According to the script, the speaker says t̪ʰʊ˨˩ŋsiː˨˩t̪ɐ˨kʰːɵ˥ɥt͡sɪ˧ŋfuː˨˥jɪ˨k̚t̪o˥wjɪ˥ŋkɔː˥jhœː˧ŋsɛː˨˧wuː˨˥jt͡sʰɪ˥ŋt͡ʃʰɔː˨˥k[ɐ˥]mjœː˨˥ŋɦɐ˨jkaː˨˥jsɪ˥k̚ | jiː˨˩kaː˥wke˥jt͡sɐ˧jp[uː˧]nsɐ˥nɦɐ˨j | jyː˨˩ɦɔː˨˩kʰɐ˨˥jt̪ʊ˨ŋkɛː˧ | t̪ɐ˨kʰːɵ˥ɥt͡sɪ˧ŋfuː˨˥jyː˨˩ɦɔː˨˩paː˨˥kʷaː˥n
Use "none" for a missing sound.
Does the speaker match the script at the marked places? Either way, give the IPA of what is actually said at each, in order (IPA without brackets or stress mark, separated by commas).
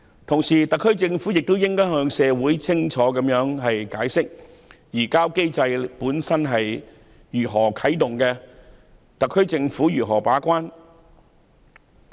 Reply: ɐ˨˥, uː˨˥